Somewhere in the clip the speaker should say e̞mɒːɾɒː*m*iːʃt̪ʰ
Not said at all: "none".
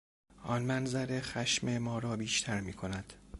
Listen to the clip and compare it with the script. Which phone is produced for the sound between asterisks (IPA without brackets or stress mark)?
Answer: b